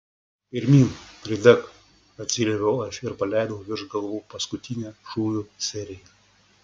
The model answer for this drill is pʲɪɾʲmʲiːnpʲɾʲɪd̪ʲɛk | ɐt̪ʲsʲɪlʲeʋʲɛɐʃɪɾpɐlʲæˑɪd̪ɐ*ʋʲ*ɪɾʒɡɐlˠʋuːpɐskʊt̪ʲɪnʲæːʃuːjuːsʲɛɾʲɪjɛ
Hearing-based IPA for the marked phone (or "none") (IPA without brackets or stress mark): ʋʲ